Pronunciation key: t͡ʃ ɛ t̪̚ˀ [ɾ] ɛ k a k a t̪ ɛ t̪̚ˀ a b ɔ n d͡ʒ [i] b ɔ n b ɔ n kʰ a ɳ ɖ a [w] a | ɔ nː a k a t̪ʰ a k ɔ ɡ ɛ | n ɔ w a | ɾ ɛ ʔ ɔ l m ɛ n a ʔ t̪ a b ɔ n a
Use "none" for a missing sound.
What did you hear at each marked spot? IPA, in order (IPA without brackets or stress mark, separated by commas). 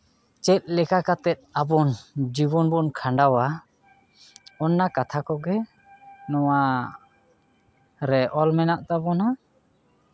l, i, w